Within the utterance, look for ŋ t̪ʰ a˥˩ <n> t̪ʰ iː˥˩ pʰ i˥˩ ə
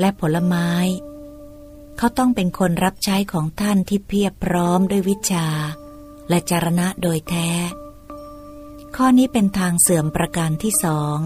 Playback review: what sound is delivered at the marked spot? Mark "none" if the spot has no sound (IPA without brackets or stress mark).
n